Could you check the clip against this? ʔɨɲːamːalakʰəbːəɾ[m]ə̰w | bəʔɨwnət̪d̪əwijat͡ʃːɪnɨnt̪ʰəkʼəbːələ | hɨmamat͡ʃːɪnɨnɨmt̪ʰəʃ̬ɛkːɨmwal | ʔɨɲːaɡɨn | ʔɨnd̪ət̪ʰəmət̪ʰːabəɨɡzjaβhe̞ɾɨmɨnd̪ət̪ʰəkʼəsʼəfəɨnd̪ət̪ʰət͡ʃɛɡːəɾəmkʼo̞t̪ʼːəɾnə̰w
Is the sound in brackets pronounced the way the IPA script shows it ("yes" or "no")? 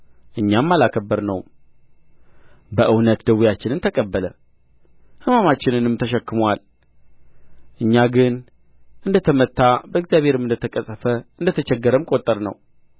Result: no